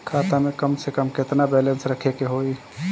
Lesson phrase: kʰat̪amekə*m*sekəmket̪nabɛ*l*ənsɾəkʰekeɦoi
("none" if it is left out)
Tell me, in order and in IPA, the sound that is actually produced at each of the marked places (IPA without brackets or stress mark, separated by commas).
m, l